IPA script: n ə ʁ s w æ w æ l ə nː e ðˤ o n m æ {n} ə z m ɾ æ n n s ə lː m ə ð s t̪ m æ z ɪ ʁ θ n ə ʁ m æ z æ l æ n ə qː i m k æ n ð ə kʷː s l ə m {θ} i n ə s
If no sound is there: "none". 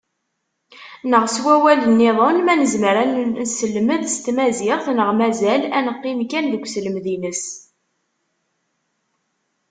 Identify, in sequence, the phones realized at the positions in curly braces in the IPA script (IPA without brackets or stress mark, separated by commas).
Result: n, ð